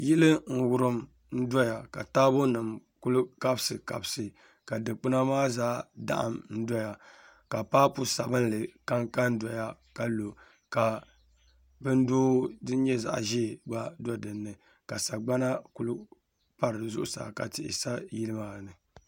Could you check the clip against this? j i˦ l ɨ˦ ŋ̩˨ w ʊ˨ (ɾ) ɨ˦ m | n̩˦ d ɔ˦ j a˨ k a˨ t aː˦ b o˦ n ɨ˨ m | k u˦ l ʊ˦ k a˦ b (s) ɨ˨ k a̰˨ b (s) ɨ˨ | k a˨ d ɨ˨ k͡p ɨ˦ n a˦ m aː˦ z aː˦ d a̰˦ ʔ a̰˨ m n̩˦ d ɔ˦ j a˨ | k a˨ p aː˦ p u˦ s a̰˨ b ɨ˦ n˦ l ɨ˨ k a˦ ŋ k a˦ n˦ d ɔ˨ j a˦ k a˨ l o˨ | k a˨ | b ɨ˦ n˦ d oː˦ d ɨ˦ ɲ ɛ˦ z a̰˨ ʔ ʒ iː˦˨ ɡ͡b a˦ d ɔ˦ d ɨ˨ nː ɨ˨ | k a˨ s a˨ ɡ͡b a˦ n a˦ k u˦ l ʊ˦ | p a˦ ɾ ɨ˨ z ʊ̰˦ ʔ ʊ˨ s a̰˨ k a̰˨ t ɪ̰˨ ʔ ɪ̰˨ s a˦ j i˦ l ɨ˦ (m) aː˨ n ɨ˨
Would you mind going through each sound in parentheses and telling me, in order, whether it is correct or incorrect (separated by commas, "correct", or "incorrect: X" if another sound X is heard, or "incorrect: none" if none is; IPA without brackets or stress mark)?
correct, correct, correct, correct